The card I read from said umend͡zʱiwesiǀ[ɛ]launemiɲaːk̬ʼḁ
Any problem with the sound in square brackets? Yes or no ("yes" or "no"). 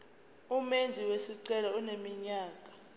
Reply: no